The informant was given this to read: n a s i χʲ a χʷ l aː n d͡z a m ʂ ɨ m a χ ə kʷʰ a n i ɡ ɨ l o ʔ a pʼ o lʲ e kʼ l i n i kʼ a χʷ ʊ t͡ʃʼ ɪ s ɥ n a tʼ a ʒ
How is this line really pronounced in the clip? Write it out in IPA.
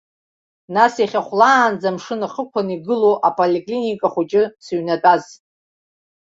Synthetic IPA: n a s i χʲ a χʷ l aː n d͡z a m ʂ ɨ n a χ ə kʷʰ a n i ɡ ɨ l o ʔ a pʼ o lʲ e kʼ l i n i kʼ a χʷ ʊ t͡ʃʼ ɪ s ɥ n a tʼ a z